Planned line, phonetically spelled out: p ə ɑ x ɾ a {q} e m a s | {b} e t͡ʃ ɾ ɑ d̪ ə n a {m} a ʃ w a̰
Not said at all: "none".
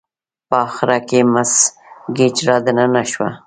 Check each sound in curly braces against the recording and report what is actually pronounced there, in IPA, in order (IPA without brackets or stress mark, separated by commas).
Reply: k, ɡ, n